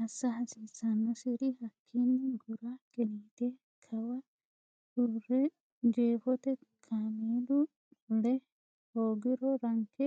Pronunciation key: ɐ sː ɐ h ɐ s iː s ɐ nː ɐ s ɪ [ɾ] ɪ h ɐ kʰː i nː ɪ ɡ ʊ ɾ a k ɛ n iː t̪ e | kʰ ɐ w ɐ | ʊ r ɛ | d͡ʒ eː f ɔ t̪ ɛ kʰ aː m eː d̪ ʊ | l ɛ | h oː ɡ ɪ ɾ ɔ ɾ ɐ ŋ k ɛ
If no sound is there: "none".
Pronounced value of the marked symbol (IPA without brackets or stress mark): ɾ